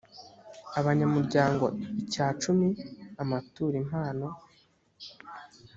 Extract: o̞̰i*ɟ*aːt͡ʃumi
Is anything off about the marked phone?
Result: yes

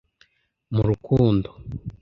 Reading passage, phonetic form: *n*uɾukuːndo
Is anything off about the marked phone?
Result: yes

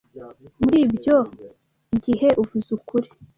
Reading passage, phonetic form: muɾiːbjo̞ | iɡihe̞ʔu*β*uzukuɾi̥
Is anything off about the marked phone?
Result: yes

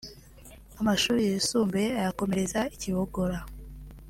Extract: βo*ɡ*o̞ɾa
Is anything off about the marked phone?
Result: no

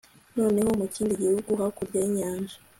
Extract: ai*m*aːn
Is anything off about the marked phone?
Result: yes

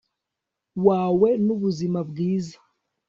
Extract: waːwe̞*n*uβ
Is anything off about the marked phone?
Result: no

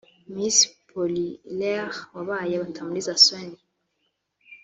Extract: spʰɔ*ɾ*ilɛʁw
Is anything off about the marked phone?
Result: yes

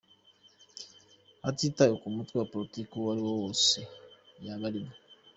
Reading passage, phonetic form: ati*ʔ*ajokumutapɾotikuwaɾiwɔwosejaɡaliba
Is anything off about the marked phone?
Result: yes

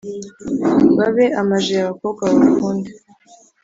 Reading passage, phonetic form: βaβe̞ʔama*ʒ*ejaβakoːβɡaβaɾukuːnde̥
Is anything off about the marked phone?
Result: no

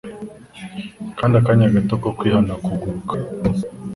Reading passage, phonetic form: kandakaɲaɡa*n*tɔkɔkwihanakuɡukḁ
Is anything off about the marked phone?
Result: yes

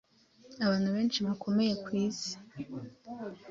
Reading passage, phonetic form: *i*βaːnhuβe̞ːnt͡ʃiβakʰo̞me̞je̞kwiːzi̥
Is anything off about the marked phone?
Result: yes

